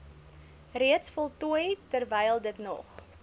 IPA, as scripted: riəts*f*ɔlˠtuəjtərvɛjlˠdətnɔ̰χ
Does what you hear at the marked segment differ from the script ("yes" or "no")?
no